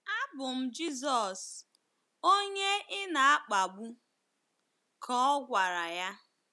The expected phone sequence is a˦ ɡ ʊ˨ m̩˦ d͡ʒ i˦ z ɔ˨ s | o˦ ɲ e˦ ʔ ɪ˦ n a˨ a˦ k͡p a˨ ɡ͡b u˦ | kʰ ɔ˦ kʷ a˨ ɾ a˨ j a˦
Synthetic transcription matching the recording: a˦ b ʊ˨ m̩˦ d͡ʒ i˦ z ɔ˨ s | o˦ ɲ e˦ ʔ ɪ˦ n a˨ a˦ k͡p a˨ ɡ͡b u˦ | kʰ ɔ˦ ɡʷ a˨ ɾ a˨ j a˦